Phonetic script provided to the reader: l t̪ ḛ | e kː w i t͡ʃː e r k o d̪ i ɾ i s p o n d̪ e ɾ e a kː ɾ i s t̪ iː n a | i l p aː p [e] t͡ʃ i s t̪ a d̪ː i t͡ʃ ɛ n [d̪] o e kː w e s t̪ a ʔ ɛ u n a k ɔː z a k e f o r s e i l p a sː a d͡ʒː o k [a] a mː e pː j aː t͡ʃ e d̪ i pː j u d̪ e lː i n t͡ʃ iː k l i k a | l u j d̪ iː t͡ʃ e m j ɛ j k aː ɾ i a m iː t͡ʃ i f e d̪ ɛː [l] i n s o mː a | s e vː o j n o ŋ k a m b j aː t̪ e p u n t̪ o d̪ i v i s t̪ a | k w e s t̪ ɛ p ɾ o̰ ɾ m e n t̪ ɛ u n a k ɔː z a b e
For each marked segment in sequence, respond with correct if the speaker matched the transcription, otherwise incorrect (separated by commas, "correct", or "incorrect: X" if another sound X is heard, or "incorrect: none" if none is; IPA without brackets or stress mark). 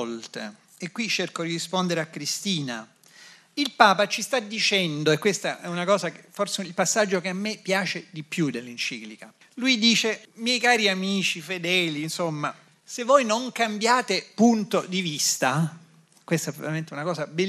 incorrect: a, correct, incorrect: e, correct